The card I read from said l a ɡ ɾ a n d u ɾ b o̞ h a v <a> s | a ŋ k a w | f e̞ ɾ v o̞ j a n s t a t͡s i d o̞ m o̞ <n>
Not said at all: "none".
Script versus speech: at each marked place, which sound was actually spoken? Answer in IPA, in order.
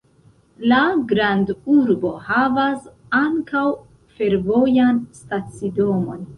a, n

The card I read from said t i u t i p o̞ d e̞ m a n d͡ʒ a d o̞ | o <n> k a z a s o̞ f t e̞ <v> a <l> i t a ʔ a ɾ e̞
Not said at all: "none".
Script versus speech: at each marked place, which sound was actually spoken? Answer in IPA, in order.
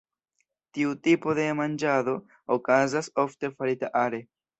none, f, ɾ

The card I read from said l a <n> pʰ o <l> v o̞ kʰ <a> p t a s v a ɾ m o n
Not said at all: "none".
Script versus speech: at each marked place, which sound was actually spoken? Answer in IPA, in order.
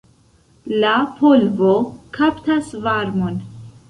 none, l, a

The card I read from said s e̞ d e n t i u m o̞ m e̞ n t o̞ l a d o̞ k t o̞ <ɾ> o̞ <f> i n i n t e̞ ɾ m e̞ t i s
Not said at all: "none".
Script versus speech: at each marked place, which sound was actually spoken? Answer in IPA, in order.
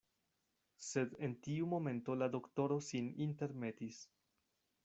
ɾ, s

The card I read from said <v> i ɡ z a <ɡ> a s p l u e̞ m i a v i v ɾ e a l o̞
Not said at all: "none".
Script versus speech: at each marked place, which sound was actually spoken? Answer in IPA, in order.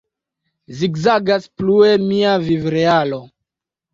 z, ɡ

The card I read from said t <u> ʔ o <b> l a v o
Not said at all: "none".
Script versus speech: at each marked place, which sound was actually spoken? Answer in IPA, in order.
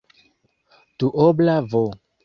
u, b

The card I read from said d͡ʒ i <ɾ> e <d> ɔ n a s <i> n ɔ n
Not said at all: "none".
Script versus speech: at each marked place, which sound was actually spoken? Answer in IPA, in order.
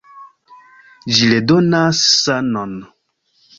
l, d, a

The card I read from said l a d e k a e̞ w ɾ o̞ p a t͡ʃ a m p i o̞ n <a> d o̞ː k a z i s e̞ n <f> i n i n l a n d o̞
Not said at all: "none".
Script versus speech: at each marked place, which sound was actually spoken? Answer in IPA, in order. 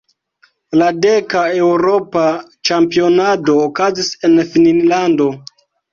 a, f

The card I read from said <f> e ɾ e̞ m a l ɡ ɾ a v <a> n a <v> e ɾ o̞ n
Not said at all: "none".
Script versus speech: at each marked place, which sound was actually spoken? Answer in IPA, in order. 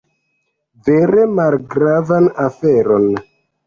v, a, f

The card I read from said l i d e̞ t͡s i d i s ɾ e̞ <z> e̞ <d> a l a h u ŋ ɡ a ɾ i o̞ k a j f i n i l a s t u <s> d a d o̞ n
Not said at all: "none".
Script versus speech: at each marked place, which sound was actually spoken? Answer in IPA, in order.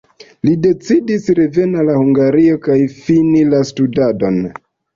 v, n, none

